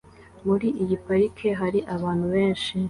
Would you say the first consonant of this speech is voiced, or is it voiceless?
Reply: voiced